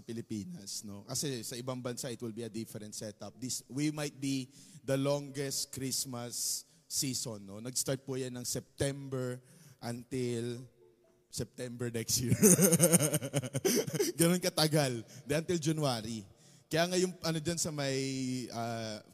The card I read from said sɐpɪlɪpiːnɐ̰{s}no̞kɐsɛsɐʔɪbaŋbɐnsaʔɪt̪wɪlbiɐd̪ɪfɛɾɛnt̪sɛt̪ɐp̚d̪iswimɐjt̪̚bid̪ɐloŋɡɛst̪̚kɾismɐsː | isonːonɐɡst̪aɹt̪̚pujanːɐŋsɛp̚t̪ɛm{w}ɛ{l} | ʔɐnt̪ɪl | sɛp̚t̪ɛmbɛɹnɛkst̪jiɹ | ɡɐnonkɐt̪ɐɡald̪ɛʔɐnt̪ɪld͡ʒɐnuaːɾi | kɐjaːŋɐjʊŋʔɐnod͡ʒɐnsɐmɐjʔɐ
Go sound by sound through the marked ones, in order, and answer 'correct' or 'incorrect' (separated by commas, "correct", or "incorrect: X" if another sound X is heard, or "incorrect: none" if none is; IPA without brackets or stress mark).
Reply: correct, incorrect: b, incorrect: ɹ